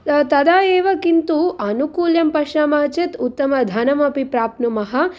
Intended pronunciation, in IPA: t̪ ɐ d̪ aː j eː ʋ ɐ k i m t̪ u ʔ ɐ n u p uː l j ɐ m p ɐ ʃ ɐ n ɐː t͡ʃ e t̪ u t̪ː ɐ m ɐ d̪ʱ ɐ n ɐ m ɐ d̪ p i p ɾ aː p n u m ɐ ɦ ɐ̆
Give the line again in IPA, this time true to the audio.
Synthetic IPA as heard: t̪ ɐ d̪ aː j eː ʋ ɐ k i n t̪ u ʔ ɐ n u k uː l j ɐ m p ɐ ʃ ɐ m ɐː t͡ʃ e t̪ u t̪ː ɐ m ɐ d̪ʱ ɐ n ɐ m ɐ p i p ɾ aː p n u m ɐ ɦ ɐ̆